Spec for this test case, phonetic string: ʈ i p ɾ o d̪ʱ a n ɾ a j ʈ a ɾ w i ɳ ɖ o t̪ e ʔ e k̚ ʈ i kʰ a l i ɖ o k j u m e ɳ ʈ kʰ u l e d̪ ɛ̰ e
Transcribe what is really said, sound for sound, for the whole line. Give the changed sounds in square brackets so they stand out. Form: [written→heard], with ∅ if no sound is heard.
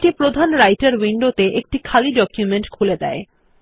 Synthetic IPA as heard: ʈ i p ɾ o d̪ʱ a n ɾ a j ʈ a ɾ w i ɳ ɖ o t̪ e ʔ e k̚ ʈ i kʰ a l i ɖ [o→ɔ] k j u m e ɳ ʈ kʰ u l e d̪ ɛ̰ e